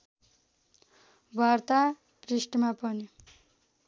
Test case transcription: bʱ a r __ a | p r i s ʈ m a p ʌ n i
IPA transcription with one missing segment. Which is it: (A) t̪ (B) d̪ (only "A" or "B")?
A